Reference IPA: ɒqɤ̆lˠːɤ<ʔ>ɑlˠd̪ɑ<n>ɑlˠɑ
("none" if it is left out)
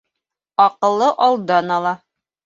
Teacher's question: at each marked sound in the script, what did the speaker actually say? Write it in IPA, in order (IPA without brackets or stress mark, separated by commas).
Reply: ʔ, n